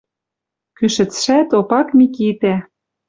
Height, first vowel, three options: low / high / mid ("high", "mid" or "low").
high